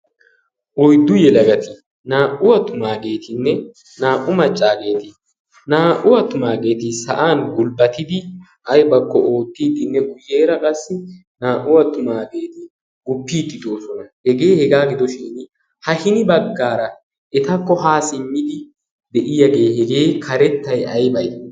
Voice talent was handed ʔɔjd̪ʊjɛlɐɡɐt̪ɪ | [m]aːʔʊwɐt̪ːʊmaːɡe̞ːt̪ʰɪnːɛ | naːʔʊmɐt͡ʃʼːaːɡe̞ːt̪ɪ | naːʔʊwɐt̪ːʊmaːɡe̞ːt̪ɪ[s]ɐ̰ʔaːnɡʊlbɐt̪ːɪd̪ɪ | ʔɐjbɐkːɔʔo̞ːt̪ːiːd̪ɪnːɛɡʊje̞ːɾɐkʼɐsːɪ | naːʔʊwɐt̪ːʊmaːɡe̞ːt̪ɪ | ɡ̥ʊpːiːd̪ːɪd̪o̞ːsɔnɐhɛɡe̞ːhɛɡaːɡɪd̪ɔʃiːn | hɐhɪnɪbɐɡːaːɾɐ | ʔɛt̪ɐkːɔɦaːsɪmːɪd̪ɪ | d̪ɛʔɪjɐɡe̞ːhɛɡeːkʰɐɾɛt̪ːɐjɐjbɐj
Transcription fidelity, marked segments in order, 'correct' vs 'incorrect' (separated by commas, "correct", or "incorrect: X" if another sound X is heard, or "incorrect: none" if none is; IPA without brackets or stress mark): incorrect: n, correct